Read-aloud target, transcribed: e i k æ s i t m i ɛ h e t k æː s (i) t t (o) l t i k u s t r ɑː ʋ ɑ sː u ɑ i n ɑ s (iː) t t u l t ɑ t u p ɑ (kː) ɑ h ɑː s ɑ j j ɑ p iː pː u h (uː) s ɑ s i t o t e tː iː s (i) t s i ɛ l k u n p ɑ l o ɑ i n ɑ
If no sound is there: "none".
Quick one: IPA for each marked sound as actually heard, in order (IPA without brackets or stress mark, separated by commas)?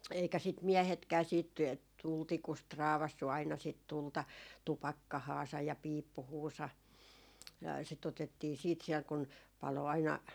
iː, u, i, kː, uː, iː